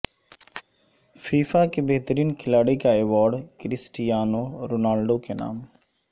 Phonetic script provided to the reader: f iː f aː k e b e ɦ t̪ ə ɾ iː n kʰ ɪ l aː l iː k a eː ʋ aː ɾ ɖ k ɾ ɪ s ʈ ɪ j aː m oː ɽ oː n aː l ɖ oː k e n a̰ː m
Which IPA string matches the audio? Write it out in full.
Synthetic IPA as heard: f iː f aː k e b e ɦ t̪ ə ɾ iː n kʰ ɪ l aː ɽ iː k a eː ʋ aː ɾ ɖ k ɾ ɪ s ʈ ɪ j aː n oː ɾ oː n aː l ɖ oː k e n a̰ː m

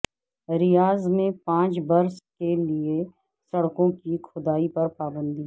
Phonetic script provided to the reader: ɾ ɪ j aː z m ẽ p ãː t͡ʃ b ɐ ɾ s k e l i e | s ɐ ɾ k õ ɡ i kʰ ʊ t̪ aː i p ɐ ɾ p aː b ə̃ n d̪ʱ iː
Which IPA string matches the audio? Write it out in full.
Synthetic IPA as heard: ɾ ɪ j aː z m ẽ p ãː t͡ʃ b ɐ ɾ s k e l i e | s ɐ ɽ k õ k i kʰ ʊ d̪ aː i p ɐ ɾ p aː b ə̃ n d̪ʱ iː

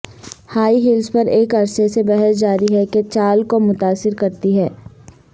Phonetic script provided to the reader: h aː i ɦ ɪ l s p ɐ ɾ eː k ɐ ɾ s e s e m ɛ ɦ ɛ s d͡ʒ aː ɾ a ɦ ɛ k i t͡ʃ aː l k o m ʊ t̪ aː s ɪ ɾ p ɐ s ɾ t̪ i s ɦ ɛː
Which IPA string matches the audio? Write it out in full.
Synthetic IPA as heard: h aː i ɦ ɪ l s p ɐ ɾ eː k ɐ ɾ s e s e b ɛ ɦ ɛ s d͡ʒ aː ɾ i ɦ ɛ k e t͡ʃ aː l k o m ʊ t̪ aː s ɪ ɾ k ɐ ɾ t̪ i ɦ ɛː

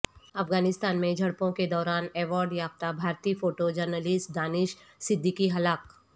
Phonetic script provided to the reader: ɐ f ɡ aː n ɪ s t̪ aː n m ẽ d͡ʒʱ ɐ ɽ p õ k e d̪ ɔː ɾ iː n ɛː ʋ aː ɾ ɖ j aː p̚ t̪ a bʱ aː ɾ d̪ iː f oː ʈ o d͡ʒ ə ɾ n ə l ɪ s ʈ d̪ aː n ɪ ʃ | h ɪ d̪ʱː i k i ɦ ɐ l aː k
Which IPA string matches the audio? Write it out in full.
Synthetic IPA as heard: ɐ f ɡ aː n ɪ s t̪ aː n m ẽ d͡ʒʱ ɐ ɽ p õ k e d̪ ɔː ɾ aː n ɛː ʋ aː ɾ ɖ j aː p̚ t̪ a bʱ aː ɾ t̪ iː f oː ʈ o d͡ʒ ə ɾ n ə l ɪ s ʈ d̪ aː n ɪ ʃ | s ɪ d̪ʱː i k i ɦ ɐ l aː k

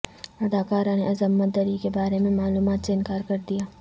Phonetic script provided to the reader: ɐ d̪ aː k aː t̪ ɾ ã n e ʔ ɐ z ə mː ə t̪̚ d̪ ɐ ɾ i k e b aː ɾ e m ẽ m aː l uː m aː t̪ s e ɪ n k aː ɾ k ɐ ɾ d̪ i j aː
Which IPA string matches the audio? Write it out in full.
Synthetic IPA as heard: ɐ d̪ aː k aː ɾ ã n e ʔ ɐ z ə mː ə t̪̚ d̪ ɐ ɾ i k e b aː ɾ e m ẽ m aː l uː m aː t̪ s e ɪ n k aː ɾ k ɐ ɾ d̪ i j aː

